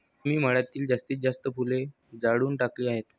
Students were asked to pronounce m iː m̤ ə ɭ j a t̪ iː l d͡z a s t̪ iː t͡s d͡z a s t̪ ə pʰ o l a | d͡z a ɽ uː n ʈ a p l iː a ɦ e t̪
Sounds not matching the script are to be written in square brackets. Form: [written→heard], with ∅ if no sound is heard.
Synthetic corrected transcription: m iː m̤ ə ɭ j a t̪ iː l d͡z a s t̪ iː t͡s d͡z a s t̪ ə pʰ [o→u] l [a→e] | d͡z a ɽ uː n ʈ a [p→k] l iː a ɦ e t̪